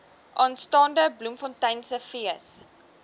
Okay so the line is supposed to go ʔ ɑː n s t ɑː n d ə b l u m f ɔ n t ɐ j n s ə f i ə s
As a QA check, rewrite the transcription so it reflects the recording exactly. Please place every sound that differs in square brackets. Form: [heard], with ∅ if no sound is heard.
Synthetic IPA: ʔ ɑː n s t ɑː n d ə b l u m f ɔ n t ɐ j n s ə f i ə s